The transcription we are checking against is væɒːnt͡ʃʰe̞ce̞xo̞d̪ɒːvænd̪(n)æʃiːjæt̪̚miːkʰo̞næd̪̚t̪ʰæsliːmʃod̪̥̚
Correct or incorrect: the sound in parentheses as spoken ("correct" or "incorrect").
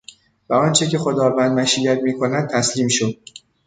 incorrect